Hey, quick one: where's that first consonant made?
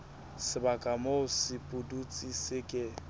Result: tongue tip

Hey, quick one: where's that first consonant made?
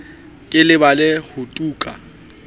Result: velum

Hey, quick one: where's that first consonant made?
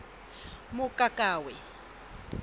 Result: lips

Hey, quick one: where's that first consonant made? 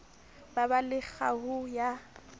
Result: lips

